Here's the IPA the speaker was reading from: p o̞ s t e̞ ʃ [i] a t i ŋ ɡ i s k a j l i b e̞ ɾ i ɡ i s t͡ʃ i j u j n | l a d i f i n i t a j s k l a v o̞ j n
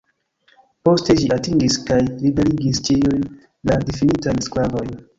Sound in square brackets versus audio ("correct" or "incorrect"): correct